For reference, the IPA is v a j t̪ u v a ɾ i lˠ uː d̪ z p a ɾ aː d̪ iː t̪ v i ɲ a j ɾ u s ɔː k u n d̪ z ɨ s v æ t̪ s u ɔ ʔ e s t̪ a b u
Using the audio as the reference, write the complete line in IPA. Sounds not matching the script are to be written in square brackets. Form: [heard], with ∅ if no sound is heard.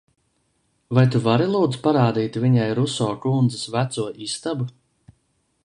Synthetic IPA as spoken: v a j t̪ u v a ɾ i lˠ uː d̪ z p a ɾ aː d̪ iː t̪ v i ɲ a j ɾ u s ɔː k u n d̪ z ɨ s v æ t̪ s u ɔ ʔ [i] s t̪ a b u